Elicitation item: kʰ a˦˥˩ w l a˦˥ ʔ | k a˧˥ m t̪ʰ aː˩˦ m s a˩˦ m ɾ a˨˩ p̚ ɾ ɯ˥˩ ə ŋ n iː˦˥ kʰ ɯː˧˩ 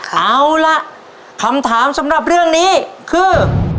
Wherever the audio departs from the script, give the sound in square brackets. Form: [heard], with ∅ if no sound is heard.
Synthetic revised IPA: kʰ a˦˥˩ w l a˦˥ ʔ | [kʰ] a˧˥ m t̪ʰ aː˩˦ m s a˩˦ m ɾ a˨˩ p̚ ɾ ɯ˥˩ ə ŋ n iː˦˥ kʰ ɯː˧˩